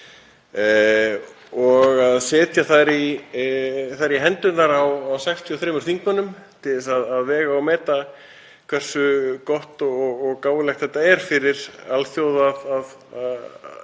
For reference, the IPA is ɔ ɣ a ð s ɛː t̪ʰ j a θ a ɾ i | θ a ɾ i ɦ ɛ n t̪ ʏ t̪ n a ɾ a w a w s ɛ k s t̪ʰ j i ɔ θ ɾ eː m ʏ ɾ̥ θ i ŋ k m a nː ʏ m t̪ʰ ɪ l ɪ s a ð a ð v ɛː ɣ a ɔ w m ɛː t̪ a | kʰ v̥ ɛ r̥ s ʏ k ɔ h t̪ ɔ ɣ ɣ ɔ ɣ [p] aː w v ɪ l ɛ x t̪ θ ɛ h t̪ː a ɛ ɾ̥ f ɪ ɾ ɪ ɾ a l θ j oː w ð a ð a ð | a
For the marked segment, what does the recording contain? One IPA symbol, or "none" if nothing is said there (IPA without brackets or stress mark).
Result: k